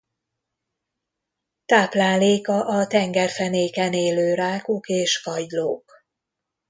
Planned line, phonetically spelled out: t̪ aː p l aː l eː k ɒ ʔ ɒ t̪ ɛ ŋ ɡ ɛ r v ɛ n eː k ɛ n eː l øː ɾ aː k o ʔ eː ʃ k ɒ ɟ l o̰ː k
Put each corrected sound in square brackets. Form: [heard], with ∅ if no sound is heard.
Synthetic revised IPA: t̪ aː p l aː l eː k ɒ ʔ ɒ t̪ ɛ ŋ ɡ ɛ r [f] ɛ n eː k ɛ n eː l øː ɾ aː k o [k] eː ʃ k ɒ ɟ l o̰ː k

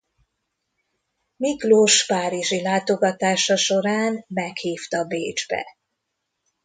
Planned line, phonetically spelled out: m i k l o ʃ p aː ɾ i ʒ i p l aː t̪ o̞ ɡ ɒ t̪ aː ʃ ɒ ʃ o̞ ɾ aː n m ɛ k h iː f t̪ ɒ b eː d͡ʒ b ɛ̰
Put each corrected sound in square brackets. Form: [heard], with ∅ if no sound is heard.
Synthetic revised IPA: m i k l o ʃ p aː ɾ i ʒ i [∅] l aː t̪ o̞ ɡ ɒ t̪ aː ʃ ɒ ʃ o̞ ɾ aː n m ɛ k h iː f t̪ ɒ b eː d͡ʒ b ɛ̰

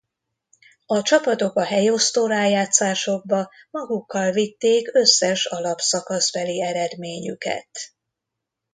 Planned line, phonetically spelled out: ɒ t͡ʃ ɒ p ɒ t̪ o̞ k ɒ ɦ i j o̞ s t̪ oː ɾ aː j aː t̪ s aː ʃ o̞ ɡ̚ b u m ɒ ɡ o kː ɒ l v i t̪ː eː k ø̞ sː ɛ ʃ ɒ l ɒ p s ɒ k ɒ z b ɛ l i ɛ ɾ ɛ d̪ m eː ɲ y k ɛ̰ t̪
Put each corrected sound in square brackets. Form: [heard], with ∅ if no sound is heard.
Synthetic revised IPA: ɒ t͡ʃ ɒ p ɒ t̪ o̞ k ɒ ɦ [ɛ] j o̞ s t̪ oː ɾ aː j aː t̪ s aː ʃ o̞ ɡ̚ b [ɒ] m ɒ ɡ [u] kː ɒ l v i t̪ː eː k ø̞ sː ɛ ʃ ɒ l ɒ p s ɒ k ɒ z b ɛ l i ɛ ɾ ɛ d̪ m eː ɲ y k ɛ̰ t̪

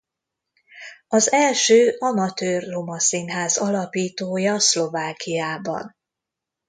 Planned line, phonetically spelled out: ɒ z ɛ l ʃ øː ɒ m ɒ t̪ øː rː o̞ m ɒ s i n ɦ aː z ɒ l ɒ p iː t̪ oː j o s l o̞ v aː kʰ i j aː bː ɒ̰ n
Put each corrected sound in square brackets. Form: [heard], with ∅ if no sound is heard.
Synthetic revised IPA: ɒ z ɛ l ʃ øː ɒ m ɒ t̪ øː rː o̞ m ɒ s i n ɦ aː z ɒ l ɒ p iː t̪ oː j [ɒ] s l o̞ v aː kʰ i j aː [b] ɒ̰ n

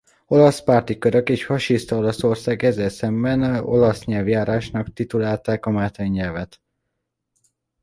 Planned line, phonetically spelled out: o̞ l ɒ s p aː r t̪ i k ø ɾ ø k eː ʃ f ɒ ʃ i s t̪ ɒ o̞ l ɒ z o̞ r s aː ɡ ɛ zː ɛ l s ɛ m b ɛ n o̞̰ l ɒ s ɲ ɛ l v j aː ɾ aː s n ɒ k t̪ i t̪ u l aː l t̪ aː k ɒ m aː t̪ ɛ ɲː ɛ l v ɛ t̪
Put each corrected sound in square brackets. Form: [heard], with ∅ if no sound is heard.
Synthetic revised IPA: o̞ l ɒ s p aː r t̪ i k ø ɾ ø k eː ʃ f ɒ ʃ i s t̪ ɒ o̞ l ɒ [s] o̞ r s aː ɡ ɛ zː ɛ l s ɛ m b ɛ n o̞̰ l ɒ s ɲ ɛ l v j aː ɾ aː [ʃ] n ɒ k t̪ i t̪ u l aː l t̪ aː k ɒ m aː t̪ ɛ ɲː ɛ l v ɛ t̪

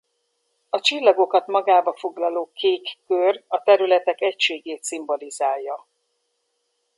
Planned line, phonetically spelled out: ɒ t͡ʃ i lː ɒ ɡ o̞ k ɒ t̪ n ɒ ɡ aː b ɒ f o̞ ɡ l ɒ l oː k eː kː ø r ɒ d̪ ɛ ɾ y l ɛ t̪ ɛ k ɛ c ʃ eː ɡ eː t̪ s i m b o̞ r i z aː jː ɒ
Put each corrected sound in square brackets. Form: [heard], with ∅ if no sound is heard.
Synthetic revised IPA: ɒ t͡ʃ i lː ɒ ɡ o̞ k ɒ t̪ [m] ɒ ɡ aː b ɒ f o̞ ɡ l ɒ l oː k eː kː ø r ɒ [t̪] ɛ ɾ y l ɛ t̪ ɛ k ɛ c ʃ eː ɡ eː t̪ s i m b o̞ [l] i z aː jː ɒ

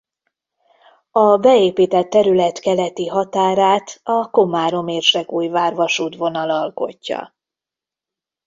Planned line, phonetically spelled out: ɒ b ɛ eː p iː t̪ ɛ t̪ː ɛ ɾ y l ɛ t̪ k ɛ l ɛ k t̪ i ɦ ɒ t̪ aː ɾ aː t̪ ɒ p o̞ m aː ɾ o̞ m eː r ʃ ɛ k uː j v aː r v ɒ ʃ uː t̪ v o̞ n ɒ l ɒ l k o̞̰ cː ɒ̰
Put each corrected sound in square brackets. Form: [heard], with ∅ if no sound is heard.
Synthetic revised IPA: ɒ b ɛ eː p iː t̪ ɛ t̪ː ɛ ɾ y l ɛ t̪ k ɛ l ɛ [∅] t̪ i ɦ ɒ t̪ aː ɾ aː t̪ ɒ [k] o̞ m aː ɾ o̞ m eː r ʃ ɛ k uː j v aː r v ɒ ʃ uː t̪ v o̞ n ɒ l ɒ l k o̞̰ cː ɒ̰

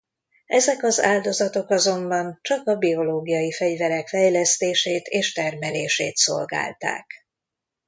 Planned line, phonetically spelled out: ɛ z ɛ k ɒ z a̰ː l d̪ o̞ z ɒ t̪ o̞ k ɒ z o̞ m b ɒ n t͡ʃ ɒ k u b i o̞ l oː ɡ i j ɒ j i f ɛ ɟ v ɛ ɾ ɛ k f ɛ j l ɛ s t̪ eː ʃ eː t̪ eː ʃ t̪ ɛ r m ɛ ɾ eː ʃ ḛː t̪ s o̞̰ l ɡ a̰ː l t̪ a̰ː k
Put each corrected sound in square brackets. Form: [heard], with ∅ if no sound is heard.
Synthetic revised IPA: ɛ z ɛ k ɒ z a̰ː l d̪ o̞ z ɒ t̪ o̞ k ɒ z o̞ m b ɒ n t͡ʃ ɒ k [ɒ] b i o̞ l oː ɡ i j ɒ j i f ɛ ɟ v ɛ ɾ ɛ k f ɛ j l ɛ s t̪ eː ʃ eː t̪ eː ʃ t̪ ɛ r m ɛ [l] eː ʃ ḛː t̪ s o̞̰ l ɡ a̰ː l t̪ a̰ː k

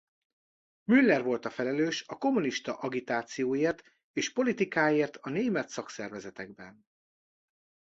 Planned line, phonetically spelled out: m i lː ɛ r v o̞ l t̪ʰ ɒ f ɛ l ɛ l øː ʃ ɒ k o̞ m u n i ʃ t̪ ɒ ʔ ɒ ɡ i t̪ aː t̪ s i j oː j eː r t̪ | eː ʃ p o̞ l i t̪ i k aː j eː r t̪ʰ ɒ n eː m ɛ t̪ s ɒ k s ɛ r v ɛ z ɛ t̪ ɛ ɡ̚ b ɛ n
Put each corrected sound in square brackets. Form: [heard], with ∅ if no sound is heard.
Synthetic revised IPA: m [y] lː ɛ r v o̞ l [t̪] ɒ f ɛ l ɛ l øː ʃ ɒ k o̞ m u n i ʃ t̪ ɒ ʔ ɒ ɡ i t̪ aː t̪ s i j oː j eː r t̪ | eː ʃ p o̞ l i t̪ i k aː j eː r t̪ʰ ɒ n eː m ɛ t̪ s ɒ k s ɛ r v ɛ z ɛ t̪ ɛ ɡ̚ b ɛ n

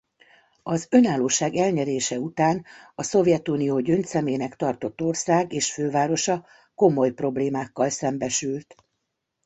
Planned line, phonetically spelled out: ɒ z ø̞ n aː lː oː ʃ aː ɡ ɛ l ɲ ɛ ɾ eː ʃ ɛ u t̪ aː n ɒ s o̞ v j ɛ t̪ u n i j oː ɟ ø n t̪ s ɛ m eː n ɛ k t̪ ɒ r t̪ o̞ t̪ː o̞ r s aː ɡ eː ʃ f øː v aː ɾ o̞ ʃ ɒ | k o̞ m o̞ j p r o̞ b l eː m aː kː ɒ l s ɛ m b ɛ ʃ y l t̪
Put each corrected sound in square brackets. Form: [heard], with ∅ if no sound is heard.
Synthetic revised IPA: ɒ z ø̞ n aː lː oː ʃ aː ɡ ɛ l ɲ ɛ ɾ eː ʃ ɛ u t̪ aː n ɒ s o̞ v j ɛ t̪ u n i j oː ɟ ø n t̪ s ɛ m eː n ɛ k t̪ ɒ r t̪ o̞ t̪ː o̞ r s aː ɡ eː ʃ f øː v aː ɾ o̞ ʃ ɒ | k o̞ m o̞ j p r o̞ b l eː m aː kː ɒ l s ɛ m b ɛ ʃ y l t̪

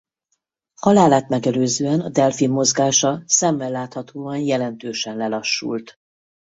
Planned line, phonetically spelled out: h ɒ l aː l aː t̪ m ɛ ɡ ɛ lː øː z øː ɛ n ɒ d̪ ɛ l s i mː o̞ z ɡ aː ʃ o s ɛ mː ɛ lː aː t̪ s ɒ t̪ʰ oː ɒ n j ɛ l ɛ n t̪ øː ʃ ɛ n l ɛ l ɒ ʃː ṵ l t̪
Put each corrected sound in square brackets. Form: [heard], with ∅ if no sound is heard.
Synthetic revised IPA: h ɒ l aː l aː t̪ m ɛ ɡ ɛ [l] øː z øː ɛ n ɒ d̪ ɛ l [f] i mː o̞ z ɡ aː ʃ [ɒ] s ɛ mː ɛ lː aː t̪ [h] ɒ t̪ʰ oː ɒ n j ɛ l ɛ n t̪ øː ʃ ɛ n l ɛ l ɒ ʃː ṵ l t̪

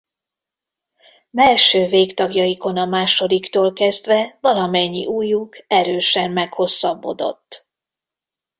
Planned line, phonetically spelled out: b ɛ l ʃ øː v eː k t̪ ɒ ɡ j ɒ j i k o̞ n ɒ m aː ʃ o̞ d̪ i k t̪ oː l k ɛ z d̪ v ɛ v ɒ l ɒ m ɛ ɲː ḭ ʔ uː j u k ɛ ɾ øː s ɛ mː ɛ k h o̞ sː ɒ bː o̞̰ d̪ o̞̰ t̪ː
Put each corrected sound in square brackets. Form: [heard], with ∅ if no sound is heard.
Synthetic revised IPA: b ɛ l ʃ øː v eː k t̪ ɒ ɡ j ɒ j i k o̞ n ɒ m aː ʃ o̞ d̪ i k t̪ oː l k ɛ z d̪ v ɛ v ɒ l ɒ m ɛ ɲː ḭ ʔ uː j u k ɛ ɾ øː [ʃ] ɛ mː ɛ k h o̞ sː ɒ bː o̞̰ d̪ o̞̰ t̪ː

